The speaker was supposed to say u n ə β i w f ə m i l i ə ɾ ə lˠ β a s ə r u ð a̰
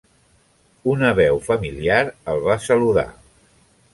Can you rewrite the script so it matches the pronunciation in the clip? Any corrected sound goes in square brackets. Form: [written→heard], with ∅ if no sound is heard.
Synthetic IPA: u n ə β [i→ɛ] w f ə m i l i [ə→a] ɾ ə lˠ β a s ə [r→l] u ð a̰

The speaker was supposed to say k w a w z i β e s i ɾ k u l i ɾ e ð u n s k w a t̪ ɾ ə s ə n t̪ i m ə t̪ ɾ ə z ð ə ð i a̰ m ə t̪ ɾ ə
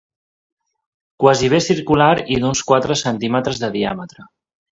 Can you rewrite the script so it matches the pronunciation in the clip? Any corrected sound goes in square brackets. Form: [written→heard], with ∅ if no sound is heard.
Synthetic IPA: k w a [w→∅] z i β e s i ɾ k u l [i→a] ɾ [e→i] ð u n s k w a t̪ ɾ ə s ə n t̪ i m ə t̪ ɾ ə z ð ə ð i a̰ m ə t̪ ɾ ə

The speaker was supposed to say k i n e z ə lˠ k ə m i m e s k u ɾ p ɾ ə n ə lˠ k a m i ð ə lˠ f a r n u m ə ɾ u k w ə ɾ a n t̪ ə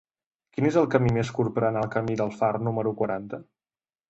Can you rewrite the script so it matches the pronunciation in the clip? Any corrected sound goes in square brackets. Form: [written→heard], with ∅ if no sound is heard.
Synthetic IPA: k i n e z ə lˠ k ə m i m e s k u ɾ p ɾ ə n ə lˠ k [a→ə] m i ð ə lˠ f a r n u m ə ɾ u k w ə ɾ a n t̪ ə

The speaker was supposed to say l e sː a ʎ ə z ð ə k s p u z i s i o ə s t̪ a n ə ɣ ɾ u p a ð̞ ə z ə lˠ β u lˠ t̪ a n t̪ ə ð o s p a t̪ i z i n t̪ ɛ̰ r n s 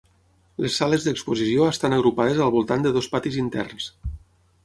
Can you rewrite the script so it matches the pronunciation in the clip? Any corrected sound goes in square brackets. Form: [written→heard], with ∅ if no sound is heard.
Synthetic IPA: l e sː a [ʎ→l] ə z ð ə k s p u z i s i o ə s t̪ a n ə ɣ ɾ u p a ð̞ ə z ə lˠ β u lˠ t̪ a n [t̪→d̪] ə ð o s p a t̪ i z i n t̪ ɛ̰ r n s

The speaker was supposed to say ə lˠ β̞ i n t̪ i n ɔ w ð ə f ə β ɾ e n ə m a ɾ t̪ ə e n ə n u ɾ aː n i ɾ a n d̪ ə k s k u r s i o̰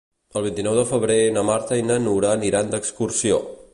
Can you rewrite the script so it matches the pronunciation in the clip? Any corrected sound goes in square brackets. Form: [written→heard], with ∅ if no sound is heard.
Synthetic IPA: ə lˠ β̞ i n t̪ i n ɔ w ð ə f ə β ɾ e n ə m a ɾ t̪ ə [e→i] n ə n u ɾ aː n i ɾ a n d̪ ə k s k u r s i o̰

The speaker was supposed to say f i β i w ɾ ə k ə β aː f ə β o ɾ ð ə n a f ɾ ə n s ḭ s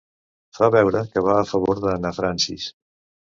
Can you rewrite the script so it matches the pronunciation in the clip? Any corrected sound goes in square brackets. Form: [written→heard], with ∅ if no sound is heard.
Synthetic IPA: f [i→a] β [i→ɛ] w ɾ ə k ə β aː f ə β o ɾ ð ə n a f ɾ [ə→a] n s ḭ s

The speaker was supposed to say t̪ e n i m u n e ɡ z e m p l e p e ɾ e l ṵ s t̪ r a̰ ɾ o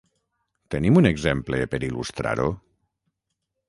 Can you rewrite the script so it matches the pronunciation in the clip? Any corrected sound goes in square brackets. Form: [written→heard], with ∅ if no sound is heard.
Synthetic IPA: t̪ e n i m u n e ɡ z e m p l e p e ɾ [e→i] l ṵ s t̪ [r→ɾ] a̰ ɾ o

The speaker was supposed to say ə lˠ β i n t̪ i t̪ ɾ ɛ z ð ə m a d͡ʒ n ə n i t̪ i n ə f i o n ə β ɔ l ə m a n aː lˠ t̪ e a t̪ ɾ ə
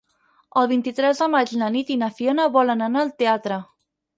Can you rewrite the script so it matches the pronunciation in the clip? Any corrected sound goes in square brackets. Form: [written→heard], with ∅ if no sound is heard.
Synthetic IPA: ə lˠ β i n t̪ i t̪ ɾ ɛ z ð ə m a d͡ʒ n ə n i t̪ i n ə f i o n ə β ɔ l ə [m→n] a n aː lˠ t̪ e a t̪ ɾ ə

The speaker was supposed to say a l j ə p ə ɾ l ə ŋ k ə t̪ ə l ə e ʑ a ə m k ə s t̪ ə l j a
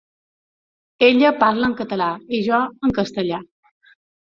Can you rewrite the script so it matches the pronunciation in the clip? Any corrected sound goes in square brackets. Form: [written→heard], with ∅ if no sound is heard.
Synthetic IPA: [a→e] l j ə p [ə→a] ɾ l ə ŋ k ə t̪ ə l [ə→a] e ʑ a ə [m→ŋ] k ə s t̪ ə l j a

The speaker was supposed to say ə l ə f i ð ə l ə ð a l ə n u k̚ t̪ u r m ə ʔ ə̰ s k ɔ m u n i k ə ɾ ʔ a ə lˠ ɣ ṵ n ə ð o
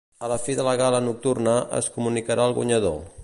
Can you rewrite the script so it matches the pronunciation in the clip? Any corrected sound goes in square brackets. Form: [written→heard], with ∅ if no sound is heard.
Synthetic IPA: ə l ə f i ð ə l ə [ð→ɣ] a l ə n u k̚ t̪ u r [m→n] ə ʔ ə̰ s k [ɔ→u] m u n i k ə ɾ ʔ a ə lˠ ɣ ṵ [n→ɲ] ə ð o

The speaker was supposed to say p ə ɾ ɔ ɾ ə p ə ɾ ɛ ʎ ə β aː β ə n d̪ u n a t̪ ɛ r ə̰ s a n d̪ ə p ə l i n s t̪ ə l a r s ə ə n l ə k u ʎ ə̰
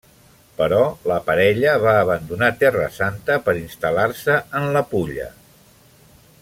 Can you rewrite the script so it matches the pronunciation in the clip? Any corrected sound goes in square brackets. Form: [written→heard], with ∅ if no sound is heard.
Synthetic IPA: p ə ɾ ɔ [ɾ→l] ə p ə ɾ ɛ ʎ ə β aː β ə n d̪ u n a t̪ ɛ r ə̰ s a n [d̪→t̪] ə p ə [l→ɾ] i n s t̪ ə l a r s ə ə n l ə [k→p] u ʎ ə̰

